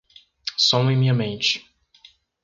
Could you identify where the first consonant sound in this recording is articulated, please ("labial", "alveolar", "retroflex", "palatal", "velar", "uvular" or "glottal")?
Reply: alveolar